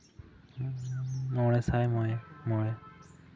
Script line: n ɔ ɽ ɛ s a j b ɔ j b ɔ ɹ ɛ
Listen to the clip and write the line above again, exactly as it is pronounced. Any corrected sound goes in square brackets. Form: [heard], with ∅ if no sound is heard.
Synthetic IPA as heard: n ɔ [ɹ] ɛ s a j [m] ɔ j [m] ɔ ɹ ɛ